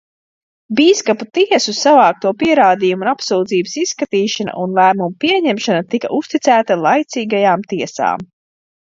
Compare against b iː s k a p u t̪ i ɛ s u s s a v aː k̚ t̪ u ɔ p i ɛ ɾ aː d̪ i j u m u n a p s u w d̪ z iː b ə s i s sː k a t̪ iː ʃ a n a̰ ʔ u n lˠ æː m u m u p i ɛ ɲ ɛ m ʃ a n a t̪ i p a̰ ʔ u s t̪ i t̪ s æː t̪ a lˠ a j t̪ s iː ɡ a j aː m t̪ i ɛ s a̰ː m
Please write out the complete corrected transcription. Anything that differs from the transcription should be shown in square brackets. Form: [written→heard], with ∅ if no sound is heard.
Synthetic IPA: b iː s k a p u t̪ i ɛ s u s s a v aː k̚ t̪ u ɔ p i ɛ ɾ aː d̪ i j u m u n a p s u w d̪ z iː b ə s i s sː k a t̪ iː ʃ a n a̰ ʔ u n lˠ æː m u m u p i ɛ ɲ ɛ m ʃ a n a t̪ i [p→k] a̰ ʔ u s t̪ i t̪ s æː t̪ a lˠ a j t̪ s iː ɡ a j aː m t̪ i ɛ s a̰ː m